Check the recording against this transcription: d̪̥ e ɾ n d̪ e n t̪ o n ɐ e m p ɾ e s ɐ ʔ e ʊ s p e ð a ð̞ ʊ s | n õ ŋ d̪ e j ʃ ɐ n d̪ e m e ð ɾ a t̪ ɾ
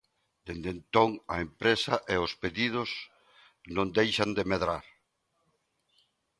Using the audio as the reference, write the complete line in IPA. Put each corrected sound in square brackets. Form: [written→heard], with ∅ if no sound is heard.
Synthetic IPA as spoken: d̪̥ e [ɾ→∅] n d̪ e n t̪ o [n→ŋ] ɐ e m p ɾ e s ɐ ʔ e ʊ s p e ð [a→i] ð̞ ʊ s | n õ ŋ d̪ e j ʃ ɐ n d̪ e m e ð ɾ a [t̪→∅] ɾ

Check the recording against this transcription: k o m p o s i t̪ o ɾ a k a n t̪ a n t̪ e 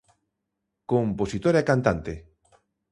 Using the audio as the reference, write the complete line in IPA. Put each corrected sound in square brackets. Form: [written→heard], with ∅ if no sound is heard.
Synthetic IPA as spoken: k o m p o s i t̪ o ɾ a k a n t̪ a n t̪ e

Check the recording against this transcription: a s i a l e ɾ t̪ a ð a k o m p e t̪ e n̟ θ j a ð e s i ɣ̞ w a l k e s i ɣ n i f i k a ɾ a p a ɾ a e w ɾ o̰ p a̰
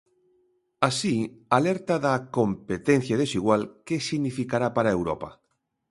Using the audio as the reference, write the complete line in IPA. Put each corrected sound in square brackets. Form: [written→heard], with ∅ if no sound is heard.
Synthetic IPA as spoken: a s i a l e ɾ t̪ a ð a k o m p e t̪ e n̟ θ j a ð e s i ɣ̞ w a l k e s i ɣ n i f i k a ɾ a p a ɾ a e w ɾ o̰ p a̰

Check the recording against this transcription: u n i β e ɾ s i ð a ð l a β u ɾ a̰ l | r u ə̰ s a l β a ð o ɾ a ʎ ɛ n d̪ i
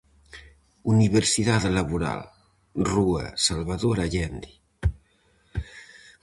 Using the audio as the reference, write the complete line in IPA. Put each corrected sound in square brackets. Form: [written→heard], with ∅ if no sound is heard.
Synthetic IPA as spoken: u n i β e ɾ s i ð a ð l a β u ɾ a̰ l | r u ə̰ s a l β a ð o ɾ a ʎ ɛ n d̪ i

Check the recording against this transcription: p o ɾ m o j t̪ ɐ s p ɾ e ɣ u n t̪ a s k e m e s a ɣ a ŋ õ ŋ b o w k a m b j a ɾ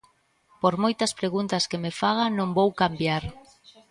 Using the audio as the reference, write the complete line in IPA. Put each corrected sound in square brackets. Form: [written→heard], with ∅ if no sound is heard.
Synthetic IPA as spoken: p o ɾ m o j t̪ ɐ s p ɾ e ɣ u n t̪ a s k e m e [s→f] a ɣ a [ŋ→n] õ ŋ b o w k a m b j a ɾ

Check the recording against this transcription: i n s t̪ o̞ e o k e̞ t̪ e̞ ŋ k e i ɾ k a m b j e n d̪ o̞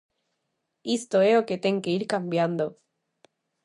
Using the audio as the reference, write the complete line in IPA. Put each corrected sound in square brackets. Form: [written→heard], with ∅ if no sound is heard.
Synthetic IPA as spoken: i [n→∅] s t̪ o̞ e o k e̞ t̪ e̞ ŋ k e i ɾ k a m b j [e→a] n d̪ o̞

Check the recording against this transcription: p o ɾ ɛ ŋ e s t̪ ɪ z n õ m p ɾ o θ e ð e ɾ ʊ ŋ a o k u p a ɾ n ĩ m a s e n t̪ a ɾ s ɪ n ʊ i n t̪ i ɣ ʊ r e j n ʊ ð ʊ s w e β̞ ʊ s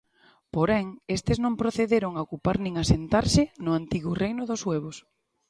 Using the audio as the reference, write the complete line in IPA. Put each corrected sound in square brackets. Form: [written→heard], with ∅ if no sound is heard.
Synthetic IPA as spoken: p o ɾ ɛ ŋ e s t̪ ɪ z n õ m p ɾ o θ e ð e ɾ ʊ ŋ a o k u p a ɾ n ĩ [m→ŋ] a s e n t̪ a ɾ s ɪ n ʊ [i→a] n t̪ i ɣ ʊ r e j n ʊ ð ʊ s w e β̞ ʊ s

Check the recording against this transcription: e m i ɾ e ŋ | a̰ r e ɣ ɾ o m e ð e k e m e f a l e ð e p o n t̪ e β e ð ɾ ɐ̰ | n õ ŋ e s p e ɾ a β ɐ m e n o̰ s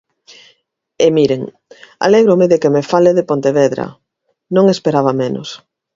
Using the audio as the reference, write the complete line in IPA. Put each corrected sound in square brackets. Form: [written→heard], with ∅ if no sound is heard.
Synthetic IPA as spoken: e m i ɾ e ŋ | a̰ [r→l] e ɣ ɾ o m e ð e k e m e f a l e ð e p o n t̪ e β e ð ɾ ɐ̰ | n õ ŋ e s p e ɾ a β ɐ m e n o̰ s

